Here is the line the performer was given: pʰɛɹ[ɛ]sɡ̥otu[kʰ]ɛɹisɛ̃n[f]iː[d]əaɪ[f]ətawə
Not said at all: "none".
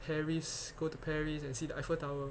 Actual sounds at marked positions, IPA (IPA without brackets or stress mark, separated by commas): i, pʰ, s, d, f